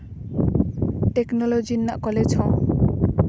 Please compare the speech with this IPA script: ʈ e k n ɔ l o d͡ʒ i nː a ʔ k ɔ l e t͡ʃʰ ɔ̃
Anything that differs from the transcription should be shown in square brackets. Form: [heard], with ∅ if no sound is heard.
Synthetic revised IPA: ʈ e k n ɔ l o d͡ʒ i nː a ʔ k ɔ l e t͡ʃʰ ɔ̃